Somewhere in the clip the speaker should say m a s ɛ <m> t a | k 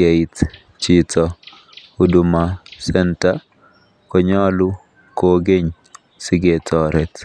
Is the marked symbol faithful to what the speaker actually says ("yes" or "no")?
no